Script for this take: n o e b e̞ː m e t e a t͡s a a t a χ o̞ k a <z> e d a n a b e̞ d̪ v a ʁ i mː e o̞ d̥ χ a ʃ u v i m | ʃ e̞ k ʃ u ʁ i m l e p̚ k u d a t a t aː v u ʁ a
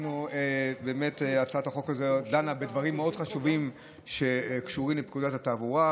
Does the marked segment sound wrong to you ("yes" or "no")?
no